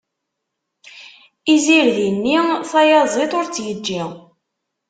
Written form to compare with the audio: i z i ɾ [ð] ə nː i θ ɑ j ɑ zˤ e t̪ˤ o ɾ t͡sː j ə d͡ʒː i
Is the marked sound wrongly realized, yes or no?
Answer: no